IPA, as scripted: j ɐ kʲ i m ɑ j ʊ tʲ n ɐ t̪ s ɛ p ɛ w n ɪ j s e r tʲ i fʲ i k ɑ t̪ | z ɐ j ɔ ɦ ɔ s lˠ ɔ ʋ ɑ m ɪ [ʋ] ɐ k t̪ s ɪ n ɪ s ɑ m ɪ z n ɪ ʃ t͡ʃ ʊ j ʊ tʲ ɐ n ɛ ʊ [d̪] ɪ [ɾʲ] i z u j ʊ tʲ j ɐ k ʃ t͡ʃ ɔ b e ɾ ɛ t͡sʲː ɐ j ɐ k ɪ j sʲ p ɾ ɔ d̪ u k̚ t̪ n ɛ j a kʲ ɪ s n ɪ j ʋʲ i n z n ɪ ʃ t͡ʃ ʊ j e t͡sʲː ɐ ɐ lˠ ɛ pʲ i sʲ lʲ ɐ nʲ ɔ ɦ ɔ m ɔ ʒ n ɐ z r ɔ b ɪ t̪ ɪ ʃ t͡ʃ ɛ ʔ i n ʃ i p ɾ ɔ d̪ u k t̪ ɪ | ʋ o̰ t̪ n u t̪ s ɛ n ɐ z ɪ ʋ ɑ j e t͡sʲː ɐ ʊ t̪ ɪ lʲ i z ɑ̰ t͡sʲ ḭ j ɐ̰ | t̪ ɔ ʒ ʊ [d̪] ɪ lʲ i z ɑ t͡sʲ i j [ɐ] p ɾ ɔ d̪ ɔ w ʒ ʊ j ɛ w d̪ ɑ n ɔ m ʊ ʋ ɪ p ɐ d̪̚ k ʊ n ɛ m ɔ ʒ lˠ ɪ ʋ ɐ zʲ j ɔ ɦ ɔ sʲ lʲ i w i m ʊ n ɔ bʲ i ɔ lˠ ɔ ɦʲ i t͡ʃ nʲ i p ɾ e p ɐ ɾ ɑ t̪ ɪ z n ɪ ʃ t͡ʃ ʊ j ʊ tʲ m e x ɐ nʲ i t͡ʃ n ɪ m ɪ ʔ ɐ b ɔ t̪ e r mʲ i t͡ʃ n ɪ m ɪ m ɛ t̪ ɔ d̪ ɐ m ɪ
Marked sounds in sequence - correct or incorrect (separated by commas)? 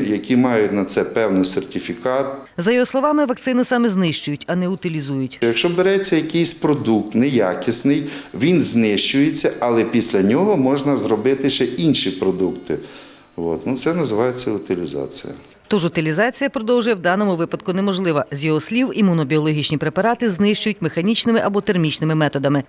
correct, incorrect, incorrect, incorrect, correct